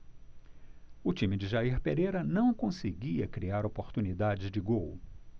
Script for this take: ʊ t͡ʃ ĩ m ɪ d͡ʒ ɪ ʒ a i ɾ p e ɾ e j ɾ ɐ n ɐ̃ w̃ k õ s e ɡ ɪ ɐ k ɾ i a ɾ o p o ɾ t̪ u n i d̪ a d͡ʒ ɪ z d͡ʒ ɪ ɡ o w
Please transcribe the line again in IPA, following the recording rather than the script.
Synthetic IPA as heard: ʊ t͡ʃ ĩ m ɪ d͡ʒ ɪ ʒ a i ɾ p e ɾ e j ɾ ɐ n ɐ̃ w̃ k õ s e ɡ i ɐ k ɾ i a ɾ o p o ɾ t̪ u n i d̪ a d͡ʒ ɪ z d͡ʒ ɪ ɡ o w